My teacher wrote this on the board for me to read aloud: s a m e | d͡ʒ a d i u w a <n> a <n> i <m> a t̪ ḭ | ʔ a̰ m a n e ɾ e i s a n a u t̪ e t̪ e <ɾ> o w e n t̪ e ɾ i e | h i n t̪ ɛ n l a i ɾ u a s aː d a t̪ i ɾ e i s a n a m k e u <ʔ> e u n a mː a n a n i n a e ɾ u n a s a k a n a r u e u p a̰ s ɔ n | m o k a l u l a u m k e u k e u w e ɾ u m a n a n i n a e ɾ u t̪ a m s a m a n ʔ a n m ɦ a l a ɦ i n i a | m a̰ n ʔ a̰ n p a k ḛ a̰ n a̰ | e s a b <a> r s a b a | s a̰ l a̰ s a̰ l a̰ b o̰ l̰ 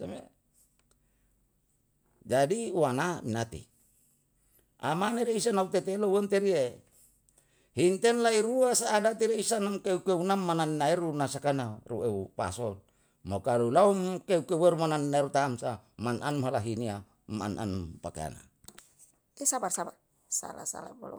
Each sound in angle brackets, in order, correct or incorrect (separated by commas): correct, incorrect, incorrect, incorrect, incorrect, correct